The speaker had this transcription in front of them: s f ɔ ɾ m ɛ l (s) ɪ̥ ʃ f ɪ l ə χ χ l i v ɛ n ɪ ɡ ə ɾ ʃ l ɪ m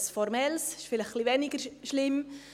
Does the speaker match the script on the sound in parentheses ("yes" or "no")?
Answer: yes